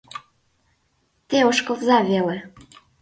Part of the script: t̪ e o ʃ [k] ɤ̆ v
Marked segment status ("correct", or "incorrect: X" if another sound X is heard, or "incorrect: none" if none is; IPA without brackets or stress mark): correct